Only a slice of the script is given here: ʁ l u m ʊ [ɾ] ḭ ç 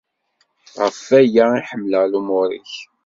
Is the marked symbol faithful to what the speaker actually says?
yes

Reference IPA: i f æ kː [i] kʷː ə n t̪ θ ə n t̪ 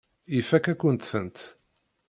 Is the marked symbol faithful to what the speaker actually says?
no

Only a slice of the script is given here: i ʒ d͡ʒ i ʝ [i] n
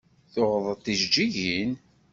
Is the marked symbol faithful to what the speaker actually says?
yes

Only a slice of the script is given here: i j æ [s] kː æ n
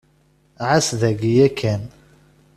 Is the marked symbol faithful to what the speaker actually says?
no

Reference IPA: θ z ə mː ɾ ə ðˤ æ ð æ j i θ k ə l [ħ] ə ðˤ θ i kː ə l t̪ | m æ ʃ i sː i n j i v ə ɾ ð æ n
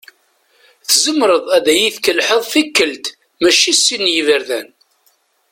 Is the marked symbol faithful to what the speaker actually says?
yes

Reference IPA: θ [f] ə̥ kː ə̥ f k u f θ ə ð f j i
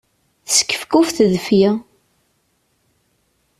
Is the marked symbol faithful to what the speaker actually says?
no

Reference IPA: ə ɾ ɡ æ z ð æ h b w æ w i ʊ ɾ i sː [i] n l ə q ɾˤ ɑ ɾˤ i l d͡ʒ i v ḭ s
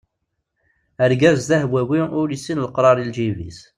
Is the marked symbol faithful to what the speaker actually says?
yes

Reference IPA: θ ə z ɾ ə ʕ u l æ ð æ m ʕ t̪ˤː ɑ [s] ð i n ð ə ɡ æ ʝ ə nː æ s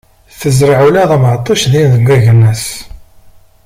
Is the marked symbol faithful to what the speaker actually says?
no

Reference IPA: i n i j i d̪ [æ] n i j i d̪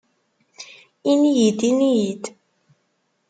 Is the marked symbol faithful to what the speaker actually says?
no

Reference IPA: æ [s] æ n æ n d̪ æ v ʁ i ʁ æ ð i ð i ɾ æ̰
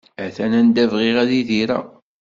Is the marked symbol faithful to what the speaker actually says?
no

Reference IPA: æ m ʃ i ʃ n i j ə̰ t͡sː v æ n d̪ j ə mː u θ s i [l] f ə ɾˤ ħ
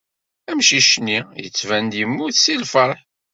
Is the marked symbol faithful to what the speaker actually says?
yes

